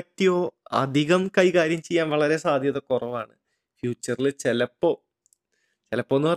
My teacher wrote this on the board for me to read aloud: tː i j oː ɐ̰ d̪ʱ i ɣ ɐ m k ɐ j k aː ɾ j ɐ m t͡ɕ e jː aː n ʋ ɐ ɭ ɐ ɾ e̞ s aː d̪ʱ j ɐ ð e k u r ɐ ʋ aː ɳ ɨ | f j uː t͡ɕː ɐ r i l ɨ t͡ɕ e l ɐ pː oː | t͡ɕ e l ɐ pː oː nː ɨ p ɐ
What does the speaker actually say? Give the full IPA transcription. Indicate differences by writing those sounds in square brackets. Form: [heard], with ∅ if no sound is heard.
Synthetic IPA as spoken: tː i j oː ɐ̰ d̪ʱ i ɣ ɐ m k ɐ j k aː ɾ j ɐ m t͡ɕ e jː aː n ʋ ɐ ɭ ɐ ɾ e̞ s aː d̪ʱ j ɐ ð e k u r ɐ ʋ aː ɳ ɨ | f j uː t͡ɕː ɐ r i l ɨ t͡ɕ e l ɐ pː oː | t͡ɕ e l ɐ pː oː nː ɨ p ɐ